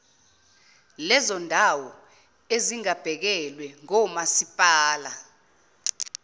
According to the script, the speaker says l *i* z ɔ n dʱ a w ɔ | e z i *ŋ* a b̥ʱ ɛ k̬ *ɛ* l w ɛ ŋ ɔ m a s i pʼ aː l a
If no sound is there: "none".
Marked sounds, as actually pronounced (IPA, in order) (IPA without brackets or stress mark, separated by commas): ɛ, ŋ, ɛ